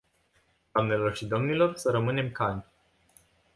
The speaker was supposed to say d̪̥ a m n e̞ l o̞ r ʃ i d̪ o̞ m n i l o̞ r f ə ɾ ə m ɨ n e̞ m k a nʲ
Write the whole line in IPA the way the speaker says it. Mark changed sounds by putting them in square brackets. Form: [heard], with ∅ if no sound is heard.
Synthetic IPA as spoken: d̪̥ a m n e̞ l o̞ r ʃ i d̪ o̞ m n i l o̞ r [s] ə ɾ ə m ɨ n e̞ m k a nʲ

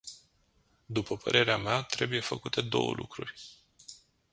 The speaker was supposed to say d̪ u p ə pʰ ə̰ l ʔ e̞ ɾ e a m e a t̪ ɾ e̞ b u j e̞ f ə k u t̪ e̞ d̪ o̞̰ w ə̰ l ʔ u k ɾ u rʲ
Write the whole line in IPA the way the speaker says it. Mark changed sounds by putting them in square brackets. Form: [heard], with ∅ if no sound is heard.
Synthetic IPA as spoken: d̪ u p ə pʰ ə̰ [ɾ] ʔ e̞ ɾ e a m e a t̪ ɾ e̞ b u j e̞ f ə k u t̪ e̞ d̪ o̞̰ w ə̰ l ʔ u k ɾ u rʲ

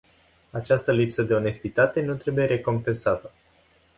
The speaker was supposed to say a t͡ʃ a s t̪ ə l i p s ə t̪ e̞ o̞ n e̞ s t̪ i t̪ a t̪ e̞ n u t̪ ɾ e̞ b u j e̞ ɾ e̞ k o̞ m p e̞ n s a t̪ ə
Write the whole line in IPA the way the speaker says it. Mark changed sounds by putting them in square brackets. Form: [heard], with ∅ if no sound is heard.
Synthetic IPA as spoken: a t͡ʃ a s t̪ ə l i p s ə [d̪] e̞ o̞ n e̞ s t̪ i t̪ a t̪ e̞ n u t̪ ɾ e̞ b u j e̞ ɾ e̞ k o̞ m p e̞ n s a t̪ ə

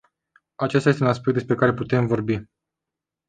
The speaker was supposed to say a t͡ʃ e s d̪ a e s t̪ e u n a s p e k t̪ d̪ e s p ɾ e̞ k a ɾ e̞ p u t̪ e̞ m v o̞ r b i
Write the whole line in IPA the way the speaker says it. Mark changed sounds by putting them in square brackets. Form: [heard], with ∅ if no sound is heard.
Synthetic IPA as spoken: a t͡ʃ e s [t̪] a e s t̪ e u n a s p e k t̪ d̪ e s p ɾ e̞ k a ɾ e̞ p u t̪ e̞ m v o̞ r b i

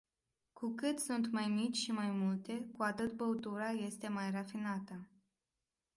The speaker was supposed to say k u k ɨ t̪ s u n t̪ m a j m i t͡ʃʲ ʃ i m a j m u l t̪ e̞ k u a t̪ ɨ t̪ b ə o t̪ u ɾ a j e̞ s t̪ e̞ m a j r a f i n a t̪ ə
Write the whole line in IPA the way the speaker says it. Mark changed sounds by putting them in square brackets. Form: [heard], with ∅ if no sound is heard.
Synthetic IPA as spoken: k u k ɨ t̪ s u n t̪ m a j m i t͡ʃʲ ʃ i m a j m u l t̪ e̞ k u a t̪ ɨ t̪ b ə [u] t̪ u ɾ a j e̞ s t̪ e̞ m a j r a f i n a t̪ ə

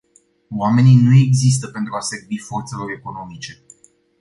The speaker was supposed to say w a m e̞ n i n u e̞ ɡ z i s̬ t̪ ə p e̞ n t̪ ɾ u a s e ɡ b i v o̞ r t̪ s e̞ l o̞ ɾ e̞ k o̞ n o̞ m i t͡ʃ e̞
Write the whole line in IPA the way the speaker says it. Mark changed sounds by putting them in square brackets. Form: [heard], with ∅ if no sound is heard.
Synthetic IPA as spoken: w a m e̞ n i n u e̞ ɡ z i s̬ t̪ ə p e̞ n t̪ ɾ u a s e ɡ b i [f] o̞ r t̪ s e̞ l o̞ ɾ e̞ k o̞ n o̞ m i t͡ʃ e̞

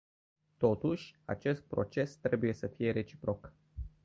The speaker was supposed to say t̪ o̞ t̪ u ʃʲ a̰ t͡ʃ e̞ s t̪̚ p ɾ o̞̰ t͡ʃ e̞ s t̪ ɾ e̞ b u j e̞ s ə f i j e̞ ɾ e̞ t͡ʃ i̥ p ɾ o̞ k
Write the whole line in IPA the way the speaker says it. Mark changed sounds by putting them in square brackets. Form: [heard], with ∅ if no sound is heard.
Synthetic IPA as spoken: t̪ o̞ t̪ u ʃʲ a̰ t͡ʃ e̞ s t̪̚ p ɾ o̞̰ t͡ʃ e̞ s t̪ ɾ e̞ b u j e̞ s ə f i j e̞ ɾ e̞ t͡ʃ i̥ p ɾ o̞ k

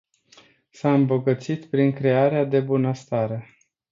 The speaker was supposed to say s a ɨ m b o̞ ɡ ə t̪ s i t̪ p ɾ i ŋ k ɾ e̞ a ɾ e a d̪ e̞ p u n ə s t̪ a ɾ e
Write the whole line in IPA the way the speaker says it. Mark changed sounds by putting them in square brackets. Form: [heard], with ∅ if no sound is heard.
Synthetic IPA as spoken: s a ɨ m b o̞ ɡ ə t̪ s i t̪ p ɾ i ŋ k ɾ e̞ a ɾ e a d̪ e̞ [b] u n ə s t̪ a ɾ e

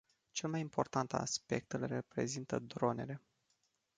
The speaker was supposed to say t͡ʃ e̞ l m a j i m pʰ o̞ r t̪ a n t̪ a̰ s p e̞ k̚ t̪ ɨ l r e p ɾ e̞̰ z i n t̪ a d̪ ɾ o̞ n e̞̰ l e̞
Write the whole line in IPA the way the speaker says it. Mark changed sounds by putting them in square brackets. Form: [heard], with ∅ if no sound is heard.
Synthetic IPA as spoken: t͡ʃ e̞ l m a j i m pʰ o̞ r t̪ a n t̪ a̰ s p e̞ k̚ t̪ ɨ l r e p ɾ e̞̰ z i n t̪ [ə] d̪ ɾ o̞ n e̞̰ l e̞

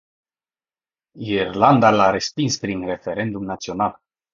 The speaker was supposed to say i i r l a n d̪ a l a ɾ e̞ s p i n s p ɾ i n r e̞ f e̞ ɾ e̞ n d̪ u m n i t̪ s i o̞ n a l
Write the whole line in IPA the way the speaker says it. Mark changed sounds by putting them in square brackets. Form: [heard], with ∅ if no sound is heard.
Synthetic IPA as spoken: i i r l a n d̪ a l a ɾ e̞ s p i n s p ɾ i n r e̞ f e̞ ɾ e̞ n d̪ u m n [a] t̪ s i o̞ n a l

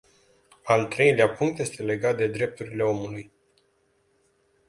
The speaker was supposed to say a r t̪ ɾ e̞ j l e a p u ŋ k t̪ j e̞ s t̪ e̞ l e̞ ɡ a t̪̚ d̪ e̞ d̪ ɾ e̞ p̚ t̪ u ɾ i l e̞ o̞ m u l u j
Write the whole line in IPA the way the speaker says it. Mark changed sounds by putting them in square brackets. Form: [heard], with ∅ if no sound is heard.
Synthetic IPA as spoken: a [l] t̪ ɾ e̞ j l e a p u ŋ k t̪ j e̞ s t̪ e̞ l e̞ ɡ a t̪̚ d̪ e̞ d̪ ɾ e̞ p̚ t̪ u ɾ i l e̞ o̞ m u l u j

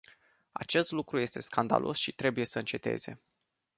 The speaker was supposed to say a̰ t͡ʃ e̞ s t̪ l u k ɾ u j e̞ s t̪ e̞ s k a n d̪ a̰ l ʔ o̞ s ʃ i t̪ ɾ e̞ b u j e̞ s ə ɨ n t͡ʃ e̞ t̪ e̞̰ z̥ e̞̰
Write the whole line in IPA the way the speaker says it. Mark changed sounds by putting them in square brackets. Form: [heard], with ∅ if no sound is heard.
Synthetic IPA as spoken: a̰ t͡ʃ e̞ s t̪ l u k ɾ u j e̞ s t̪ e̞ s k a n d̪ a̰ l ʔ o̞ s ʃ i t̪ ɾ e̞ b u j e̞ s ə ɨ n t͡ʃ e̞ t̪ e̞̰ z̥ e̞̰

